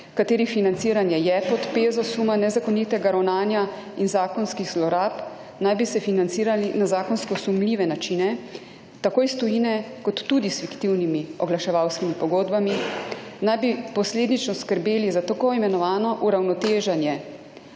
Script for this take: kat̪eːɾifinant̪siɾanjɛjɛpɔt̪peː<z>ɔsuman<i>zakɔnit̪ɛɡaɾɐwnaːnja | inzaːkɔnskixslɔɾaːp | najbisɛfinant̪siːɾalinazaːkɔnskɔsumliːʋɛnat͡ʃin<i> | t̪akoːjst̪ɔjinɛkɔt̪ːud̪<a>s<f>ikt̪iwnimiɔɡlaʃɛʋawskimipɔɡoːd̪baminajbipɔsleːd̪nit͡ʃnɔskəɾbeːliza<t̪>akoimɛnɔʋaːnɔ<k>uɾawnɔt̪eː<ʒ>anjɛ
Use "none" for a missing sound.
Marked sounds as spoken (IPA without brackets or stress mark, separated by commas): z, ɛ, ɛ, i, f, t̪, ʔ, ʒ